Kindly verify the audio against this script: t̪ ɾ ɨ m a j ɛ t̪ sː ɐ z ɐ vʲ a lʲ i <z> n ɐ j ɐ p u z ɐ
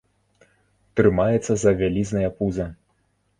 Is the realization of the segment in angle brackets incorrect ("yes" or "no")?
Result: no